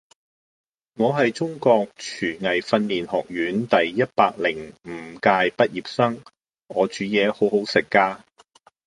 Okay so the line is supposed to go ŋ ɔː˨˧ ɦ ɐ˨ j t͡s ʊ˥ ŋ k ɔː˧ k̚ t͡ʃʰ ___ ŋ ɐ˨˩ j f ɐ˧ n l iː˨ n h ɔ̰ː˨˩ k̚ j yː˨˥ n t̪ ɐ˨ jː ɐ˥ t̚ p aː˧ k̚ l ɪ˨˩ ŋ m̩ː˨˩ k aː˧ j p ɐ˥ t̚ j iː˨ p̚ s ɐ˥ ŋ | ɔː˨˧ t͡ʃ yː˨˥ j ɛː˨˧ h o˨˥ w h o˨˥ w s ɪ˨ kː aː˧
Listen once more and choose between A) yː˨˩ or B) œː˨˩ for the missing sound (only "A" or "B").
A